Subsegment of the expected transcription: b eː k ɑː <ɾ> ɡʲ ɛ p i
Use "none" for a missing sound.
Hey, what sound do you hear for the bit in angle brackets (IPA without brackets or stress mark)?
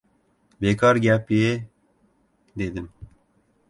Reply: ɾ